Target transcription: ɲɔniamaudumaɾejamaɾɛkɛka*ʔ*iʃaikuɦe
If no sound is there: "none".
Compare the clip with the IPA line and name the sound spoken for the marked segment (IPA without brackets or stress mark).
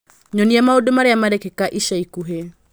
ʔ